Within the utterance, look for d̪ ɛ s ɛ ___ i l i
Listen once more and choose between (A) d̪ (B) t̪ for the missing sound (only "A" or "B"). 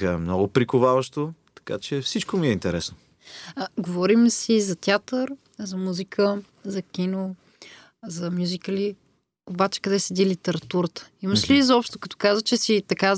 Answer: A